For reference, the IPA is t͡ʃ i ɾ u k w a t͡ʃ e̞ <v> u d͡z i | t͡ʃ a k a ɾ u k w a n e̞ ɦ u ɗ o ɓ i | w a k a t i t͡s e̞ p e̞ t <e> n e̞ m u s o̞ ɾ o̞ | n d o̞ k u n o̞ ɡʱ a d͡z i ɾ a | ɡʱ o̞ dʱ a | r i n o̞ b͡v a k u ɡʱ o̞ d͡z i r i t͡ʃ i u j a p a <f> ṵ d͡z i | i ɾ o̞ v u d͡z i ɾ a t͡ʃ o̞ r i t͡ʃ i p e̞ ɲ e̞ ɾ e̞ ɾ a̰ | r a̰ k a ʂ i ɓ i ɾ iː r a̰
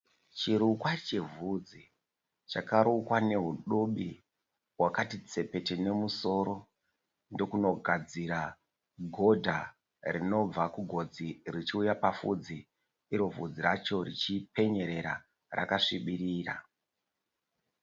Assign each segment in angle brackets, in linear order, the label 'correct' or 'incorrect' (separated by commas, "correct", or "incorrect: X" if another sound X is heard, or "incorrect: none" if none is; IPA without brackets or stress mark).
correct, correct, correct